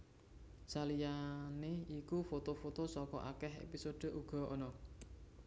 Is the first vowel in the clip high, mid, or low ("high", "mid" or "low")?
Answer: low